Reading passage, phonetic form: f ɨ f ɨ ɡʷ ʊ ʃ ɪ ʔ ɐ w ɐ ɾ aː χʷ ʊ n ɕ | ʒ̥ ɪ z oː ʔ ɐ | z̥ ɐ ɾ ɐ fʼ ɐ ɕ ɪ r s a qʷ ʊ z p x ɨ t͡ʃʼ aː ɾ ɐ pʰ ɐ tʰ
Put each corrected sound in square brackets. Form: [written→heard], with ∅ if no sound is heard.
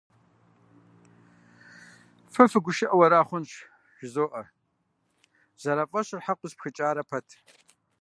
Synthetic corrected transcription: f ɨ f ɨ ɡʷ ʊ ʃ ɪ ʔ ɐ w ɐ ɾ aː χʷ ʊ n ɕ | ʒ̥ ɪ z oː ʔ ɐ | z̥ ɐ ɾ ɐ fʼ ɐ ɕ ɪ r [s→ħ] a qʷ ʊ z p x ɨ t͡ʃʼ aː ɾ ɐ pʰ ɐ tʰ